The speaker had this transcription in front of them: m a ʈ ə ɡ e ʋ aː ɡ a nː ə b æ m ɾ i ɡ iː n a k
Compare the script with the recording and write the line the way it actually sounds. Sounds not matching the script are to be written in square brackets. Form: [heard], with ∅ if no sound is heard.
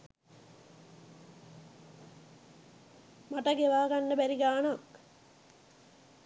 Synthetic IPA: m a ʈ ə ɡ e ʋ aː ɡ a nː ə b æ [∅] ɾ i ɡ [aː] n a k